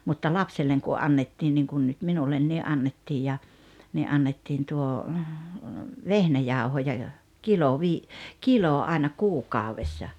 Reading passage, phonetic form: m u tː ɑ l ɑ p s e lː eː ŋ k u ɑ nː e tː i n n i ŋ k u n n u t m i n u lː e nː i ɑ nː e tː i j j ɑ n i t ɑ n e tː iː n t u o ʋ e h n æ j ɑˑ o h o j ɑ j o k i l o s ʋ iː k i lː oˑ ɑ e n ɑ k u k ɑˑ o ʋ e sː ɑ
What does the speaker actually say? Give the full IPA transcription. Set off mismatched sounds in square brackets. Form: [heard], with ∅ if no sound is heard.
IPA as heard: m u tː ɑ l ɑ p s e lː [e] ŋ k u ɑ nː e tː i n n i ŋ k u n n u t m i n u lː e nː i ɑ nː e tː i j j ɑ n i [ʔ] ɑ [nː] e tː iː n t u o ʋ e h n æ j ɑˑ [u] h o j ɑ j o k i l o [∅] ʋ iː k i [l] oˑ ɑ e n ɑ k [uː] k ɑˑ o ʋ e sː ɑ